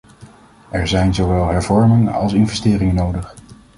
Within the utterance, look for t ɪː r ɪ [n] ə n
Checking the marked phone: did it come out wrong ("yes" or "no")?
yes